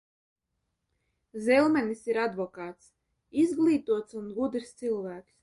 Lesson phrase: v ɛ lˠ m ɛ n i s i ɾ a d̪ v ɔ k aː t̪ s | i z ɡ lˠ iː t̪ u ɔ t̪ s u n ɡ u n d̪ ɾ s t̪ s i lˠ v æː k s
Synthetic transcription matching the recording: z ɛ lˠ m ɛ n i s i ɾ a d̪ v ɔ k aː t̪ s | i z ɡ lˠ iː t̪ u ɔ t̪ s u n ɡ u d̪ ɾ s t̪ s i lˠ v æː k s